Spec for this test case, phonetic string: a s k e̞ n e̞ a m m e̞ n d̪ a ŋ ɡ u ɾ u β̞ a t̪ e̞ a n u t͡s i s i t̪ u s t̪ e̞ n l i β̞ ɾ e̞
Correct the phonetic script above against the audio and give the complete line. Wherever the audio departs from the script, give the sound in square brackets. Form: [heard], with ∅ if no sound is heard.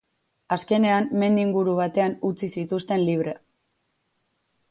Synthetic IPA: a s k e̞ n e̞ a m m e̞ n d̪ [i] ŋ ɡ u ɾ u β̞ a t̪ e̞ a n u t͡s i s i t̪ u s t̪ e̞ n l i β̞ ɾ e̞

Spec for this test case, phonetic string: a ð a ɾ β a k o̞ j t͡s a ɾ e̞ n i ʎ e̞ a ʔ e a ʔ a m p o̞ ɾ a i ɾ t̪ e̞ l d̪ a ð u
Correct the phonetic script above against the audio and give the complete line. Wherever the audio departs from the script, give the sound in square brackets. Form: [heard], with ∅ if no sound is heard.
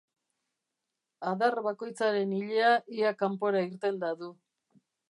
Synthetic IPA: a ð a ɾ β a k o̞ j t͡s a ɾ e̞ n i ʎ e̞ a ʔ [i] a [k] a m p o̞ ɾ a i ɾ t̪ e̞ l d̪ a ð u

